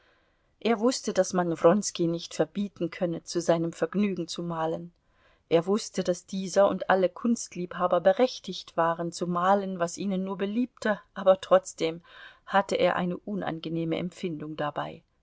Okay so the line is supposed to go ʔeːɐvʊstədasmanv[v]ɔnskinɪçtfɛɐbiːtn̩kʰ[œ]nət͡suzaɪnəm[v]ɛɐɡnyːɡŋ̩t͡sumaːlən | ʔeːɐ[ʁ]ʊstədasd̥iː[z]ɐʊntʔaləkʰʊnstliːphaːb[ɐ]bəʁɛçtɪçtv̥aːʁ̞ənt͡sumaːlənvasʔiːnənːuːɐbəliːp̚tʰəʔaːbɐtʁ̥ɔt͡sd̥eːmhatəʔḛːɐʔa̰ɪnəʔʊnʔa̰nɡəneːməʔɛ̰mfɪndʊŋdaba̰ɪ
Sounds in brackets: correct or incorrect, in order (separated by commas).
incorrect, correct, incorrect, incorrect, correct, correct